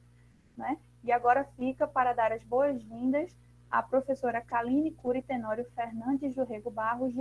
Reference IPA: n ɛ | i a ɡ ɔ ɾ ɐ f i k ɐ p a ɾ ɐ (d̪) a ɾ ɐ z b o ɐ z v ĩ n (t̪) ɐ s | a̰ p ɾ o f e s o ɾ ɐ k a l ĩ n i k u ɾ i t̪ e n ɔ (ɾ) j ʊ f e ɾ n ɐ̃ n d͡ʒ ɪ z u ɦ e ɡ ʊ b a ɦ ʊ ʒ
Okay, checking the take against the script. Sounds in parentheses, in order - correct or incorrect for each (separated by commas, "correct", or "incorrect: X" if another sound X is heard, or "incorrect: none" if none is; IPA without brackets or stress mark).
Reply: correct, incorrect: d̪, correct